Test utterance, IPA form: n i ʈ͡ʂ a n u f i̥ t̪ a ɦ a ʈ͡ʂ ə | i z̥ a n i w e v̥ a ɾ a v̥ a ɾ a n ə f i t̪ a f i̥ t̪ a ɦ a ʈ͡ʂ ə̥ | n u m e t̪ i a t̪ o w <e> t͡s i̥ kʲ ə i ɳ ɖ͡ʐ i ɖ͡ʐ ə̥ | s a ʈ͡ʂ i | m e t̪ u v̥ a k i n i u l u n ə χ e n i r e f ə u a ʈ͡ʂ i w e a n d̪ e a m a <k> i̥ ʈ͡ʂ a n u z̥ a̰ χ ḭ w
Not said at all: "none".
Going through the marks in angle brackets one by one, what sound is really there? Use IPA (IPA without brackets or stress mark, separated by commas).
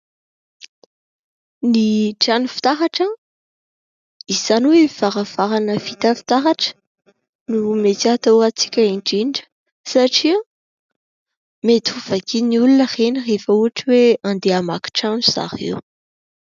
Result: a, k